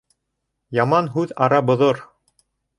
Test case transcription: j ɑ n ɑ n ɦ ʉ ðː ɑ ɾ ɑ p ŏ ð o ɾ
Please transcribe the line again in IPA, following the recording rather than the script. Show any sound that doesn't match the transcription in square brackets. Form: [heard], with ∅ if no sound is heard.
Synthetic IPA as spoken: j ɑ [m] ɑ n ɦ ʉ [ð] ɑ ɾ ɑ [b] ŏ ð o ɾ